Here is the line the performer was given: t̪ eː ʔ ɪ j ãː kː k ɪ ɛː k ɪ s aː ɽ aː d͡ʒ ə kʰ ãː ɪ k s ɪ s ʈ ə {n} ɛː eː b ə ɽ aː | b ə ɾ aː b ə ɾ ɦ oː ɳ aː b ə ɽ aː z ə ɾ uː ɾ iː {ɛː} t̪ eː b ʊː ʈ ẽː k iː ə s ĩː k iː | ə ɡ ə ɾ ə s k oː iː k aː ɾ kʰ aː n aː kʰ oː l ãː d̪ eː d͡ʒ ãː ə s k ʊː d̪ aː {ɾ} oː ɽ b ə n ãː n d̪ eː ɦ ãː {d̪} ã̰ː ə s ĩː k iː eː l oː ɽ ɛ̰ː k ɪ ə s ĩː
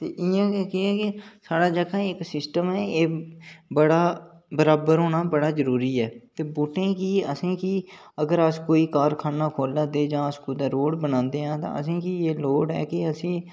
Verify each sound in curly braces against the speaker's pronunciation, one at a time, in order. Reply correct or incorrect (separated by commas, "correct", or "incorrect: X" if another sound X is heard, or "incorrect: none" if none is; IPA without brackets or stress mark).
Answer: incorrect: m, correct, correct, incorrect: t̪